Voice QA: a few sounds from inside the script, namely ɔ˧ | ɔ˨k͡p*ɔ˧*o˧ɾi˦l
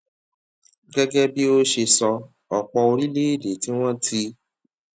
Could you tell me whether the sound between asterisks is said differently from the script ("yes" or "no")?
no